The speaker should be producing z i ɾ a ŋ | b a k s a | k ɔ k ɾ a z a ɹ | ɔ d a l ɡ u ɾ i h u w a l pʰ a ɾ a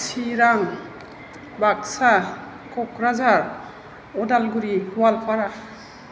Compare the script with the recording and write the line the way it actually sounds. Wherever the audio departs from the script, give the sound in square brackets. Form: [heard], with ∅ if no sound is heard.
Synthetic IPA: [s] i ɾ a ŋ | b a k s a | k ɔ k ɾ a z a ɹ | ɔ d a l ɡ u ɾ i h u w a l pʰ a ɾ a

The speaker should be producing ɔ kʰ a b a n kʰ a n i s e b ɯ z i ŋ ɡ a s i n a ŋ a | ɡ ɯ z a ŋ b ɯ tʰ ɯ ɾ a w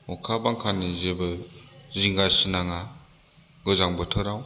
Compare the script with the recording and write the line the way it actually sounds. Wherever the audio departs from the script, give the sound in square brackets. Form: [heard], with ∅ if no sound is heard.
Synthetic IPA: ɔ kʰ a b a [ŋ] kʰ a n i [z] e b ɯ z i ŋ ɡ a s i n a ŋ a | ɡ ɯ z a ŋ b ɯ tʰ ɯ ɾ a w

